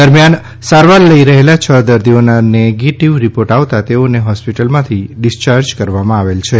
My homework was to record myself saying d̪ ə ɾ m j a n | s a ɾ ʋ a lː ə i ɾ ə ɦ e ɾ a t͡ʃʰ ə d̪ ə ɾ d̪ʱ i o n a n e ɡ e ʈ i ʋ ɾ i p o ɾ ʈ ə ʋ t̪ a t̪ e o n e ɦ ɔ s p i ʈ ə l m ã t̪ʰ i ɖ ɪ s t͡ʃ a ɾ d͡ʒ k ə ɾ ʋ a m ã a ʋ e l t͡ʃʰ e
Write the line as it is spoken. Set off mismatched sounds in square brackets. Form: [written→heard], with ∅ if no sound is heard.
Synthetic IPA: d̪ ə ɾ m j a n | s a ɾ ʋ a lː ə i ɾ ə ɦ e [ɾ→l] a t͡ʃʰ ə d̪ ə ɾ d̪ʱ i o n a n e ɡ e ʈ i ʋ ɾ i p o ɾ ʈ [ə→a] ʋ t̪ a t̪ e o n e ɦ ɔ s p i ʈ ə l m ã t̪ʰ i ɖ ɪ s t͡ʃ a ɾ d͡ʒ k ə ɾ ʋ a m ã a ʋ e l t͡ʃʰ e

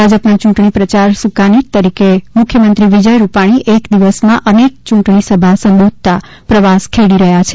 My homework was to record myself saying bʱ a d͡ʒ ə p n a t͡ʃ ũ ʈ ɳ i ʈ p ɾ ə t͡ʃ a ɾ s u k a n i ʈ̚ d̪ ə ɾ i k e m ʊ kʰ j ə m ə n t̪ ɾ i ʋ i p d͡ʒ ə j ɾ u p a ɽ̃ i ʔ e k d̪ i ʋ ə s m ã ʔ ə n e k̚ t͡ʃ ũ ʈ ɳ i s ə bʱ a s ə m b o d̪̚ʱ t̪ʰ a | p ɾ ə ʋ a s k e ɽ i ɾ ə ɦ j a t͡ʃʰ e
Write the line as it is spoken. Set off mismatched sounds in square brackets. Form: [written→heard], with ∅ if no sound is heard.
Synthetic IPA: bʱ a d͡ʒ ə p n a t͡ʃ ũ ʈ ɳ i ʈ p ɾ ə t͡ʃ a ɾ s u k a n i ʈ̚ [d̪→t̪] ə ɾ i k e m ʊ kʰ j ə m ə n t̪ ɾ i ʋ i [p→∅] d͡ʒ ə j ɾ u p a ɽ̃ i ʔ e k d̪ i ʋ ə s m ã ʔ ə n e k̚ t͡ʃ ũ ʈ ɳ i s ə bʱ a s ə m b o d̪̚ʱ [t̪ʰ→t̪] a | p ɾ ə ʋ a s [k→kʰ] e ɽ i ɾ ə ɦ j a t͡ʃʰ e

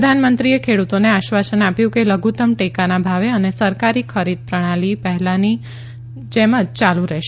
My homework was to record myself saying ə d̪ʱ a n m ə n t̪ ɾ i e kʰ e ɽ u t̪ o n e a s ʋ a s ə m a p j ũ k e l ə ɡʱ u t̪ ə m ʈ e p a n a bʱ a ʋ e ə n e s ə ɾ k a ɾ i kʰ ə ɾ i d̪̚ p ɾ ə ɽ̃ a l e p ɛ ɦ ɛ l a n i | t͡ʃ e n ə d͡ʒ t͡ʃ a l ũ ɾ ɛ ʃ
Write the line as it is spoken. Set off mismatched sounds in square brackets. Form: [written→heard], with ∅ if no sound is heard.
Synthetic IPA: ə d̪ʱ a n m ə n t̪ ɾ i e kʰ e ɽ u t̪ o n e a [s→ʃ] ʋ a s ə [m→n] a p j ũ k e l ə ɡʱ u t̪ ə m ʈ e [p→k] a n a bʱ a ʋ e ə n e s ə ɾ k a ɾ i kʰ ə ɾ i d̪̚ p ɾ ə ɽ̃ a l [e→i] p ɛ ɦ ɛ l a n i | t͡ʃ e [n→m] ə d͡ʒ t͡ʃ a l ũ ɾ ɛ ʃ

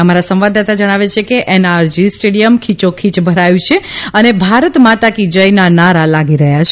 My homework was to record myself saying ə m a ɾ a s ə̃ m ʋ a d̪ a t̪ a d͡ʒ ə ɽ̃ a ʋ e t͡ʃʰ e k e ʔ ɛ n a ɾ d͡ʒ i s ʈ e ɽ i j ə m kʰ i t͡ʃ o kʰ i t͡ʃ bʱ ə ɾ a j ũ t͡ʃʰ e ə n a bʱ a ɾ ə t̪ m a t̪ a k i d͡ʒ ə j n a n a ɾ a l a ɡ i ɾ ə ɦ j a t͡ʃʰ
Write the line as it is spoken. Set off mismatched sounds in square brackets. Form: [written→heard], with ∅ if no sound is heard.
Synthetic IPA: ə m a ɾ a s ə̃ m ʋ a d̪ a t̪ a d͡ʒ ə ɽ̃ a ʋ e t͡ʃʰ e k e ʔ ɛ n a ɾ d͡ʒ i s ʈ e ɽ i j ə m kʰ i t͡ʃ o kʰ i t͡ʃ bʱ ə ɾ a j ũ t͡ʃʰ e ə n [a→e] bʱ a ɾ ə t̪ m a t̪ a k i d͡ʒ ə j n a n a ɾ a l a ɡ i ɾ ə ɦ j a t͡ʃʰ

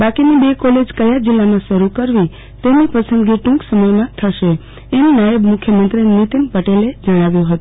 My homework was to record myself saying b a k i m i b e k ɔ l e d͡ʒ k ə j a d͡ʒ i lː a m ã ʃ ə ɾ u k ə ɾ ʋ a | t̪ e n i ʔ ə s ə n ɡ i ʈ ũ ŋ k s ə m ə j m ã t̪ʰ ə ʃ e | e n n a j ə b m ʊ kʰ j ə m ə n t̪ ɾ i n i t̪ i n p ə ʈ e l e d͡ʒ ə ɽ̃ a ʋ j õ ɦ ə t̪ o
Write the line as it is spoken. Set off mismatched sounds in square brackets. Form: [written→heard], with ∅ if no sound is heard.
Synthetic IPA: b a k i [m→n] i b e k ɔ l e d͡ʒ k ə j a d͡ʒ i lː a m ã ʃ ə ɾ u k ə ɾ ʋ [a→i] | t̪ e n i [ʔ→p] ə s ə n ɡ i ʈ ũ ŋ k s ə m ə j m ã t̪ʰ ə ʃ e | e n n a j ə b m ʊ kʰ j ə m ə n t̪ ɾ i n i t̪ i n p ə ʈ e l e d͡ʒ ə ɽ̃ a ʋ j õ ɦ ə t̪ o

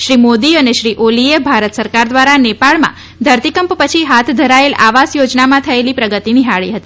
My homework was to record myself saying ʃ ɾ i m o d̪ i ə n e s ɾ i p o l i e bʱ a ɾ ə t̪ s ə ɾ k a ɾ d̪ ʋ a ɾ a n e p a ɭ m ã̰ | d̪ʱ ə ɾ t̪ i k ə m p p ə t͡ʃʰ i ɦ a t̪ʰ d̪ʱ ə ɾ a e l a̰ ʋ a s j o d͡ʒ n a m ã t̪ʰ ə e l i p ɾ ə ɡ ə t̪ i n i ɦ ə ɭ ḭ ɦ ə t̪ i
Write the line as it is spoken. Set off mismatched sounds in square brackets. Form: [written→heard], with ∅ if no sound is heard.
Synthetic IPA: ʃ ɾ i m o d̪ i ə n e [s→ʃ] ɾ i [p→ʔ] o l i e bʱ a ɾ ə t̪ s ə ɾ k a ɾ d̪ ʋ a ɾ a n e p a ɭ m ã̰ | d̪ʱ ə ɾ t̪ i k ə m p p ə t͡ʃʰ i ɦ a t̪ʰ d̪ʱ ə ɾ a e l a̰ ʋ a s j o d͡ʒ n a m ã t̪ʰ ə e l i p ɾ ə ɡ ə t̪ i n i ɦ [ə→a] ɭ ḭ ɦ ə t̪ i

